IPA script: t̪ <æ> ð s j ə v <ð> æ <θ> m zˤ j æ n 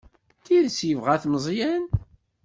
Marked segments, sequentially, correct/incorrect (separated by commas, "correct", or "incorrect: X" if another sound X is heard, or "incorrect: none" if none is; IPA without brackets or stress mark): incorrect: i, incorrect: ʁ, correct